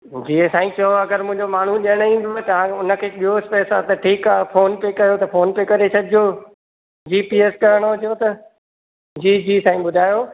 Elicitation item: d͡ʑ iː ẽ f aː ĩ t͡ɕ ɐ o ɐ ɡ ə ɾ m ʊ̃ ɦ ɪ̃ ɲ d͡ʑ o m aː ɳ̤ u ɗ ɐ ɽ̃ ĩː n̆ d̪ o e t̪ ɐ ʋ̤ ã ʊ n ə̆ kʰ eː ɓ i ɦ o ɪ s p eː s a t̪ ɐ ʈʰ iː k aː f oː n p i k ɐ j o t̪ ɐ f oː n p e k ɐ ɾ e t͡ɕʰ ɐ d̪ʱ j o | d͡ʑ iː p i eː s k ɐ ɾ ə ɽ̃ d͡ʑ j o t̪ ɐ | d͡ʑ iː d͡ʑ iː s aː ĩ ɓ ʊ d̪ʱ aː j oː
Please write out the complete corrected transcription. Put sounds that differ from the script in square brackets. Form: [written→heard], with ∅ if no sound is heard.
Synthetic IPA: d͡ʑ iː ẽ [f→s] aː ĩ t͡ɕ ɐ o ɐ ɡ ə ɾ m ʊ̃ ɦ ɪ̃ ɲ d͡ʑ o m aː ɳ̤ u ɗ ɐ ɽ̃ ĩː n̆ d̪ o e t̪ ɐ ʋ̤ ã ʊ n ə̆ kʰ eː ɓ i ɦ o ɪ s p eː s a t̪ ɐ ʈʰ iː k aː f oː n p [i→e] k ɐ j o t̪ ɐ f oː n p e k ɐ ɾ e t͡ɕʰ ɐ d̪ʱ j o | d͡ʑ iː p i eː s k ɐ ɾ ə ɽ̃ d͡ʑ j o t̪ ɐ | d͡ʑ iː d͡ʑ iː s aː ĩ ɓ ʊ d̪ʱ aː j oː